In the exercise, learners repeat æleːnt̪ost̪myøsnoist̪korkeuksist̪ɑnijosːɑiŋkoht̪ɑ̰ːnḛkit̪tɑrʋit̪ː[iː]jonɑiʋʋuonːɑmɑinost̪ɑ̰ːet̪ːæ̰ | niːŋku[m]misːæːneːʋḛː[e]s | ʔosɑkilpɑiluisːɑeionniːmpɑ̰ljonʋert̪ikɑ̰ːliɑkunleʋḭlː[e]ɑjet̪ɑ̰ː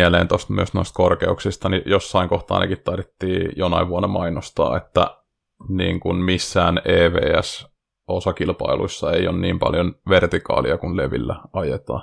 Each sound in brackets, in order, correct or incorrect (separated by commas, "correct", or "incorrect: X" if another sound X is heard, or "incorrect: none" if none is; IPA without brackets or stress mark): correct, incorrect: n, incorrect: æ, incorrect: æ